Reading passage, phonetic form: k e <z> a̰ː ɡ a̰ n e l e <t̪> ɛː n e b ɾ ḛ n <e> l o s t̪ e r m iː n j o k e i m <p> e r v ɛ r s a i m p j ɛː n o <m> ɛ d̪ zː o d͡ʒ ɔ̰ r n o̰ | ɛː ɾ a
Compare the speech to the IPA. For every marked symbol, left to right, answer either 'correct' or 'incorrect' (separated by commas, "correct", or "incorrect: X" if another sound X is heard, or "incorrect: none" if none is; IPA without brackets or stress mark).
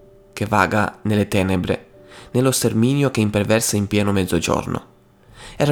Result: incorrect: v, correct, correct, correct, correct